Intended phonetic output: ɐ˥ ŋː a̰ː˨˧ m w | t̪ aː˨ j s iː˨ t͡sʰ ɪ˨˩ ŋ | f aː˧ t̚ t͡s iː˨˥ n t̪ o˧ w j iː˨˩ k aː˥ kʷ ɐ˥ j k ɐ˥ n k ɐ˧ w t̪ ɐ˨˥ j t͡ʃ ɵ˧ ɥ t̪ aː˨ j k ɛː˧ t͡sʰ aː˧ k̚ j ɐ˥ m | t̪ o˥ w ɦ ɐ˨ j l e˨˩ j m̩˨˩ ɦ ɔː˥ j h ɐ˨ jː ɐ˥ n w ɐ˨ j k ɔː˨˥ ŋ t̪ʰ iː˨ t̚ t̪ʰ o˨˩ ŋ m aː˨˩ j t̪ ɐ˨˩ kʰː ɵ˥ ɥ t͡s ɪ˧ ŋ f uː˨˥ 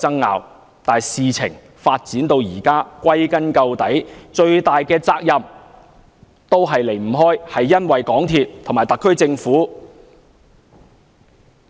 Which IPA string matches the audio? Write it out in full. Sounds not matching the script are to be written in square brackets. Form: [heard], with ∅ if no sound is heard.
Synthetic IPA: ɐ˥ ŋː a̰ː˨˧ [∅] w | t̪ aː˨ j s iː˨ t͡sʰ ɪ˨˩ ŋ | f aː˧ t̚ t͡s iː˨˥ n t̪ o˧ w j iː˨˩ k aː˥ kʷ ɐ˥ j k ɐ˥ n k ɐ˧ w t̪ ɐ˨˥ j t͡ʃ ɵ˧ ɥ t̪ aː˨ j k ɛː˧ [t͡s] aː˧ k̚ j [ɐ˨] m | t̪ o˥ w ɦ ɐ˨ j l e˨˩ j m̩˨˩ ɦ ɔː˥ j h ɐ˨ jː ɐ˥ n w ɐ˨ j k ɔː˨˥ ŋ t̪ʰ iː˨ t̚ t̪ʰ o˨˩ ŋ m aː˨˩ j t̪ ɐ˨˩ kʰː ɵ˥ ɥ t͡s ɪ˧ ŋ f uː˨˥